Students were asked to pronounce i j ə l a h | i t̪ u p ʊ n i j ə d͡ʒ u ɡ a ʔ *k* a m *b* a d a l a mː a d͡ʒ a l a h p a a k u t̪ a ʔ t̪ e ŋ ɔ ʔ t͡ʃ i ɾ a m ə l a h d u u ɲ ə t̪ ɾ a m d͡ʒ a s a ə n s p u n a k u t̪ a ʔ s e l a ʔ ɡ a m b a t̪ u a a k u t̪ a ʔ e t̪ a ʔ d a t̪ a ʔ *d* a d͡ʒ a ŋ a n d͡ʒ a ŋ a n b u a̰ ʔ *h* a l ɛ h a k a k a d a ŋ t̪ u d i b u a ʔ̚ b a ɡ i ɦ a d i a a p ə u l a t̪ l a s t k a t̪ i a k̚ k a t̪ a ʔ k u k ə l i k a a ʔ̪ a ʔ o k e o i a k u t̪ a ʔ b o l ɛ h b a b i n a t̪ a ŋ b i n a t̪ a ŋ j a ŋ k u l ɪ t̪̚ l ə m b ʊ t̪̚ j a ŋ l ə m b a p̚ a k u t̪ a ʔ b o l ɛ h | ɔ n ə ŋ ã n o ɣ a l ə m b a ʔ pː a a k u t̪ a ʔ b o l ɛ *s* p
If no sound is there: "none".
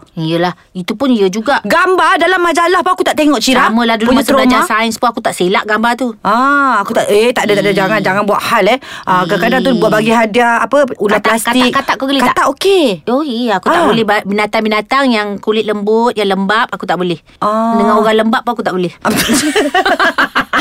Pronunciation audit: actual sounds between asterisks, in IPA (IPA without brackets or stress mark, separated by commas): ɡ, b, d, h, h